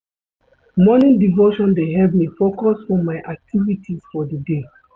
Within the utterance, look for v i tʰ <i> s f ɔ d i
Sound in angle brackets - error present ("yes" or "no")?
no